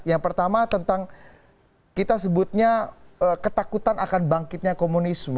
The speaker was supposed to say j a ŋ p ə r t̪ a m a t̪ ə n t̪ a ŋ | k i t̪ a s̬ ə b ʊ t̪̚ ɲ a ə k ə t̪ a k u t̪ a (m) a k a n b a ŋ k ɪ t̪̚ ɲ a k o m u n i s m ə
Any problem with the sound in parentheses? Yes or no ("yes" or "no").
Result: yes